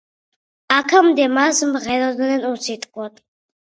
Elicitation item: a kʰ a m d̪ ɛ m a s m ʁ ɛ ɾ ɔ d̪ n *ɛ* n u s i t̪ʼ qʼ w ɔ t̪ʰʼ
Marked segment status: correct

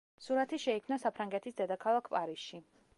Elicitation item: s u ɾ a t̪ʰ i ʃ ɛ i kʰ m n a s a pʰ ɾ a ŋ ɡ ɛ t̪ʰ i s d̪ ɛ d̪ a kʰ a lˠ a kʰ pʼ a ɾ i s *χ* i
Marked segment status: incorrect: ʃ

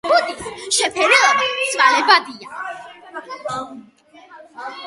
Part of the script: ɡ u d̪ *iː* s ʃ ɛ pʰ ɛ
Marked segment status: incorrect: i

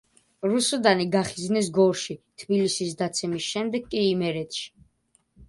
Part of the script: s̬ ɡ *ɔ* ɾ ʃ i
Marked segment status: correct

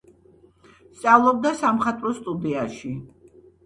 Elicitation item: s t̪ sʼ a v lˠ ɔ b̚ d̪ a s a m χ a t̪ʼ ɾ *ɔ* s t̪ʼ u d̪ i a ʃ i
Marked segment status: correct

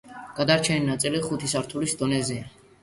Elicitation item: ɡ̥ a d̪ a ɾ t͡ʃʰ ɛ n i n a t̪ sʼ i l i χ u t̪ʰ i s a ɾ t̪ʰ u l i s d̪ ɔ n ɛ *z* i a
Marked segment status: correct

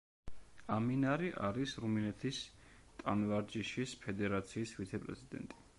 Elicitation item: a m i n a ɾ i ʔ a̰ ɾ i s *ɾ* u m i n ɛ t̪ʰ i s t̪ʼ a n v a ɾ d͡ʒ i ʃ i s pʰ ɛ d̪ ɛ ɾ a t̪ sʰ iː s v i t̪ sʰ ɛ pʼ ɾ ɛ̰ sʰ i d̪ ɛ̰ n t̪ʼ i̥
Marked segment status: correct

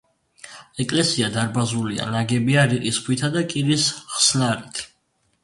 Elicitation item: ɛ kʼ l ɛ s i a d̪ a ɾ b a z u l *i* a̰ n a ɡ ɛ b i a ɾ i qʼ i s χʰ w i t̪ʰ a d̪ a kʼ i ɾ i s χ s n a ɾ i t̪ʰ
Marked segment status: correct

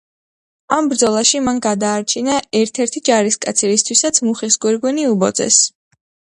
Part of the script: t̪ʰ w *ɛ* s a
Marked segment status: incorrect: i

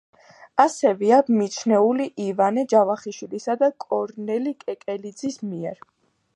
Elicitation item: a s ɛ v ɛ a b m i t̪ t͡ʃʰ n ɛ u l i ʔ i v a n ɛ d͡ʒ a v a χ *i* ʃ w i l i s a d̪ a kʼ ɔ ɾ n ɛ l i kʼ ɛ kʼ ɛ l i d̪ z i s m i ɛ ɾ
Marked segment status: correct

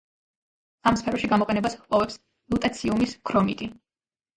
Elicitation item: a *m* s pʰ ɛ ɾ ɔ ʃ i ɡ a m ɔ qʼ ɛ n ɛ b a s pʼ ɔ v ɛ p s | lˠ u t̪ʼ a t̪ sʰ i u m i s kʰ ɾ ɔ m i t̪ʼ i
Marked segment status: correct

